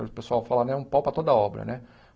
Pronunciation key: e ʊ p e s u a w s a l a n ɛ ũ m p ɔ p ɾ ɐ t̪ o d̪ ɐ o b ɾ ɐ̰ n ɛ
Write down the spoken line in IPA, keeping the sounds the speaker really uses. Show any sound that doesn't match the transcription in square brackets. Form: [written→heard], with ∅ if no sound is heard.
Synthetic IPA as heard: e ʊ p e s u a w [s→f] a l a n ɛ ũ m p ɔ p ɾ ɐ t̪ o d̪ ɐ [o→ɔ] b ɾ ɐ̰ n ɛ

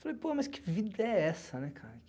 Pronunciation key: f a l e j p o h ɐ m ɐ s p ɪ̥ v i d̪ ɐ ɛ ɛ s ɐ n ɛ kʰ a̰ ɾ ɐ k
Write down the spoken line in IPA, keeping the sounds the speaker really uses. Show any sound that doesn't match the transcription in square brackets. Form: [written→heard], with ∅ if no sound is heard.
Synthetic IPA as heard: f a l e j p o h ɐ m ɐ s [p→k] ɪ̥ v i d̪ ɐ ɛ ɛ s ɐ n ɛ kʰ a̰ ɾ ɐ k

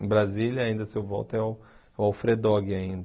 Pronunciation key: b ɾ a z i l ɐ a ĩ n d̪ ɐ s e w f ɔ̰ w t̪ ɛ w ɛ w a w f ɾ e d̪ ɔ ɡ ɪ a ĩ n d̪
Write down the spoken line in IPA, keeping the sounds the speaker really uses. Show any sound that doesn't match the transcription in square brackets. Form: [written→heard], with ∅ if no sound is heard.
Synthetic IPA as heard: b ɾ a z i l ɐ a ĩ n d̪ ɐ s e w [f→v] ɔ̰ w t̪ ɛ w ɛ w a w f ɾ e d̪ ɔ ɡ ɪ a ĩ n d̪

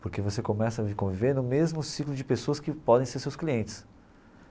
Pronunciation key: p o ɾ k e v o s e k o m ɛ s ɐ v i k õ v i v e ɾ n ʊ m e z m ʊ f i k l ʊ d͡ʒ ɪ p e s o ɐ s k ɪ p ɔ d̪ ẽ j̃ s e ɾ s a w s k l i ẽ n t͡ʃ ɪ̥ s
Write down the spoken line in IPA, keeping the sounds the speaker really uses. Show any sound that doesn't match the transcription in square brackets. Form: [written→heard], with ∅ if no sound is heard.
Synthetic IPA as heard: p o ɾ k e v o s e k o m ɛ s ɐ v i k õ v i v e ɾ n ʊ m e z m ʊ [f→s] i k l ʊ d͡ʒ ɪ p e s o ɐ s k ɪ p ɔ d̪ ẽ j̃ s e ɾ s [a→e] w s k l i ẽ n t͡ʃ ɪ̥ s

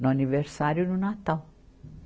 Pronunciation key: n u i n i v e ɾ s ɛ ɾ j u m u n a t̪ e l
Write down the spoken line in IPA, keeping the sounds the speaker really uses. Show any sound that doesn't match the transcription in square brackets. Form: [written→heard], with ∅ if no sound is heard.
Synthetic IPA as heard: n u [i→a] n i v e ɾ s [ɛ→a] ɾ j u [m→n] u n a t̪ [e→a] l

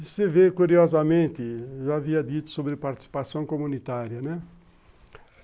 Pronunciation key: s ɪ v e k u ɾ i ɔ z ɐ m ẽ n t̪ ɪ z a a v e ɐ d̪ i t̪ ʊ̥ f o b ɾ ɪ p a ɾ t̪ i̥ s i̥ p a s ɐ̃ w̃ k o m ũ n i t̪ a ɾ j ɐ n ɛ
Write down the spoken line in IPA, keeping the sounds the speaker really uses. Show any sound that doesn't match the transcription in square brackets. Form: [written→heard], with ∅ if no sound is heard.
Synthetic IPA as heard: s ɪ v e k u ɾ i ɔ z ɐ m ẽ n t̪ ɪ [z→ʒ] a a v [e→i] ɐ d̪ i t̪ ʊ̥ [f→s] o b ɾ ɪ p a ɾ t̪ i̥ s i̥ p a s ɐ̃ w̃ k o m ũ n i t̪ a ɾ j ɐ n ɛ

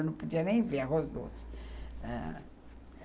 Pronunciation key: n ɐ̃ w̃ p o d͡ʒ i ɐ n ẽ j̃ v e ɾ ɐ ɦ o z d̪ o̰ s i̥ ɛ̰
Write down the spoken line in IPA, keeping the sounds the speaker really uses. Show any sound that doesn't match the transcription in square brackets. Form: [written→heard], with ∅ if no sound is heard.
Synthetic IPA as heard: n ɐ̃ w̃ p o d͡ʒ i ɐ n ẽ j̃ v e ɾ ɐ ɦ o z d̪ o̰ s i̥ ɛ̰

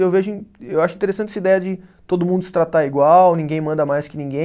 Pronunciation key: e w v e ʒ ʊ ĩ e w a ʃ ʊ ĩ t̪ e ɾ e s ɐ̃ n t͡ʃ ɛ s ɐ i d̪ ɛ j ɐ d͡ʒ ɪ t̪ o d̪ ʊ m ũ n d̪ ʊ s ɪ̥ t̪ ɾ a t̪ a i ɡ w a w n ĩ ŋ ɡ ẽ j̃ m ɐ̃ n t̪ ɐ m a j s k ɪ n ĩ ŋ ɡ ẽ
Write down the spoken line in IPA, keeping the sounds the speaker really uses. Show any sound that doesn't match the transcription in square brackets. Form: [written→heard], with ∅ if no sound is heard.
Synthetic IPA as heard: e w v e ʒ ʊ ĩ e w a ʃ ʊ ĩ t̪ e ɾ e s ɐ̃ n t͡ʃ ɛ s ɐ i d̪ ɛ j ɐ d͡ʒ ɪ t̪ o d̪ ʊ m ũ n d̪ ʊ s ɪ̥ t̪ ɾ a t̪ a i ɡ w a w n ĩ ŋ ɡ ẽ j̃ m ɐ̃ n [t̪→d̪] ɐ m a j s k ɪ n ĩ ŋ ɡ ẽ

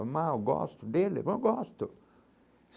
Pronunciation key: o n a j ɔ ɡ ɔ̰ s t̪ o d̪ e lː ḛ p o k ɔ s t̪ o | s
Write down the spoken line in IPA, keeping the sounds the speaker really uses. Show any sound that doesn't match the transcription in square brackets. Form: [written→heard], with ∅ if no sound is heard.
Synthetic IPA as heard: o [n→m] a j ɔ ɡ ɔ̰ s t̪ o d̪ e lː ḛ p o [k→ɡ] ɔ s t̪ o | s

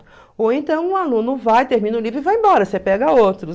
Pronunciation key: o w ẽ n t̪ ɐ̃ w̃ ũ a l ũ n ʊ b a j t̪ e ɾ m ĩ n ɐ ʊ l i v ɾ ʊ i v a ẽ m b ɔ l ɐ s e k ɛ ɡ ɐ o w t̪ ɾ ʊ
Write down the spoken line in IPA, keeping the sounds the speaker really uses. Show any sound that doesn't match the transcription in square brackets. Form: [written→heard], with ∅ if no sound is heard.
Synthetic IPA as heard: o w ẽ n t̪ ɐ̃ w̃ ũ a l ũ n ʊ [b→v] a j t̪ e ɾ m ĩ n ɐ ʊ l i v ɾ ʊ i v a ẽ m b ɔ [l→ɾ] ɐ s e [k→p] ɛ ɡ ɐ o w t̪ ɾ ʊ

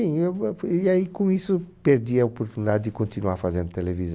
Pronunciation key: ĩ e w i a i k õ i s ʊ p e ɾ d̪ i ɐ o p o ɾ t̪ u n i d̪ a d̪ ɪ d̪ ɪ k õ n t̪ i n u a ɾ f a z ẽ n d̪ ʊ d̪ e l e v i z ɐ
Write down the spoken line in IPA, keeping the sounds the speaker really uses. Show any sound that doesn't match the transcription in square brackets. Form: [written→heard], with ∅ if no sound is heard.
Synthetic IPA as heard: ĩ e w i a i k õ i s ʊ p e ɾ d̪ i ɐ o p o ɾ t̪ u n i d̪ a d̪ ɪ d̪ ɪ k õ n t̪ i n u a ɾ f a z ẽ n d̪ ʊ [d̪→t̪] e l e v i z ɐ

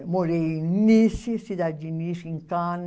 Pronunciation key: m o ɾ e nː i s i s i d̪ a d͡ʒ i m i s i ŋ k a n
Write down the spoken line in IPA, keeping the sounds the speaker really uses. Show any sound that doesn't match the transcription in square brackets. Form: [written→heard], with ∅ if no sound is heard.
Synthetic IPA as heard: m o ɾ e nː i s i s i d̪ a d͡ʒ i [m→n] i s i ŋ k a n

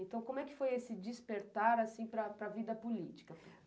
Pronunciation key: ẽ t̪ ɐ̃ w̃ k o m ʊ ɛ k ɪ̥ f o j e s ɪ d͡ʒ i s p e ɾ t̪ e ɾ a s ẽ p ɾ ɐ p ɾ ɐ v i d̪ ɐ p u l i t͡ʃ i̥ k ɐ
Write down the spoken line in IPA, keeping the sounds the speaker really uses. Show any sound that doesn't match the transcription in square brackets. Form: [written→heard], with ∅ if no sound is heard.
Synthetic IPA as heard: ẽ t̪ ɐ̃ w̃ k o m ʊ ɛ k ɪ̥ f o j e s ɪ d͡ʒ i s p e ɾ t̪ [e→a] ɾ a s [ẽ→ĩ] p ɾ ɐ p ɾ ɐ v i d̪ ɐ p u l i t͡ʃ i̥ k ɐ

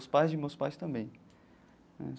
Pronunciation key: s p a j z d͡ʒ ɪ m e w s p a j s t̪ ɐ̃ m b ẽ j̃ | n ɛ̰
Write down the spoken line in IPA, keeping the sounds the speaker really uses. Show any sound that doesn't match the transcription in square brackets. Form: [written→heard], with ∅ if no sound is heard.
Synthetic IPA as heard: s p a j z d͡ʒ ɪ m e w s p a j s t̪ ɐ̃ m b ẽ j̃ | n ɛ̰

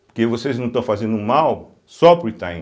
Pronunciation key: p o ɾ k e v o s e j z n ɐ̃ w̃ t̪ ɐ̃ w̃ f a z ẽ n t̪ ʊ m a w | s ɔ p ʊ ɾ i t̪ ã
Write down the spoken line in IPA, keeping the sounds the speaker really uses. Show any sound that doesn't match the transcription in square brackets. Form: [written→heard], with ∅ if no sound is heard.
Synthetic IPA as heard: p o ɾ k e v o s e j z n ɐ̃ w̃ t̪ ɐ̃ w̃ f a z ẽ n [t̪→d̪] ʊ m a w | s ɔ p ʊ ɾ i t̪ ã

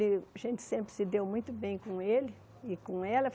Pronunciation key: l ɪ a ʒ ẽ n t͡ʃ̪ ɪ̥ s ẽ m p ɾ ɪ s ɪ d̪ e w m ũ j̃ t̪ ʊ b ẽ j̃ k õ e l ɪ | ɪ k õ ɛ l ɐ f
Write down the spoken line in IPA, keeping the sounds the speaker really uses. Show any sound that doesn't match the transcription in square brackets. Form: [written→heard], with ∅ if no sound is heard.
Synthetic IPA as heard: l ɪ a ʒ ẽ n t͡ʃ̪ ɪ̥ s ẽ m p ɾ ɪ s ɪ d̪ e w m ũ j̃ t̪ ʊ b ẽ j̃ k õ e l ɪ | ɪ k õ ɛ l ɐ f

